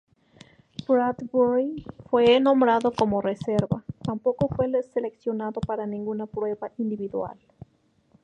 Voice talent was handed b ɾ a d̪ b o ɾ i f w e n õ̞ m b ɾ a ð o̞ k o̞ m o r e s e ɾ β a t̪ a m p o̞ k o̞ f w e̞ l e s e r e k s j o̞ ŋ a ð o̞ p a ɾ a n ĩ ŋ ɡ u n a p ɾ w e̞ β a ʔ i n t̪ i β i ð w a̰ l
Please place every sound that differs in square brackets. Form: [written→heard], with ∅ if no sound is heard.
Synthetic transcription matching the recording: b ɾ a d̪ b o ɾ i f w e n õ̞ m b ɾ a ð o̞ k o̞ m o r e s e ɾ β a t̪ a m p o̞ k o̞ f w e̞ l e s e [r→l] e k s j o̞ [ŋ→n] a ð o̞ p a ɾ a n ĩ ŋ ɡ u n a p ɾ w e̞ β a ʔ i n [t̪→d̪] i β i ð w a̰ l